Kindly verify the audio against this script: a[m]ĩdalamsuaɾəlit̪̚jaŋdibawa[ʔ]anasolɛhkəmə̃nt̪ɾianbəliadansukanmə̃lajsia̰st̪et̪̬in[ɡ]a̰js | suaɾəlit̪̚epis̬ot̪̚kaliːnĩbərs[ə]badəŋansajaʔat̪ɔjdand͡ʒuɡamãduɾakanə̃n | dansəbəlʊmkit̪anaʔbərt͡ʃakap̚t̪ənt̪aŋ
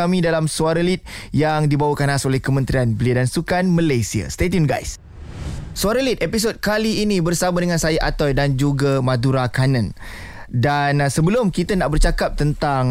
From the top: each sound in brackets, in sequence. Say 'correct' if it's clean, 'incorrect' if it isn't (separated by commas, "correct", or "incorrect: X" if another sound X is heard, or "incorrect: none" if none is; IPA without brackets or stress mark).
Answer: correct, incorrect: k, correct, incorrect: a